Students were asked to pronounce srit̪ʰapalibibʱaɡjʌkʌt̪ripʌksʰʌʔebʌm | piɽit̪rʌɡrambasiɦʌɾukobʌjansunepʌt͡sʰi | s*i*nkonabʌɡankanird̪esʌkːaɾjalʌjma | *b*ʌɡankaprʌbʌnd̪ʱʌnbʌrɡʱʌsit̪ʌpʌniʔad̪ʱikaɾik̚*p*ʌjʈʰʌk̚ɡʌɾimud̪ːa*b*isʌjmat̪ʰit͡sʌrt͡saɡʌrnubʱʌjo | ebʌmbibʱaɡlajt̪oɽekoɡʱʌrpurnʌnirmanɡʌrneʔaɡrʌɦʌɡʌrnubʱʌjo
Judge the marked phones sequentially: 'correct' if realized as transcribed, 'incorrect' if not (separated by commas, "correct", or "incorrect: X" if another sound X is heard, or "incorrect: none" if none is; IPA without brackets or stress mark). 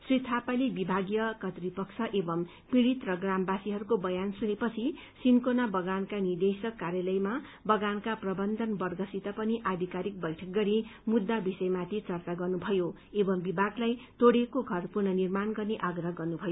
correct, correct, incorrect: b, correct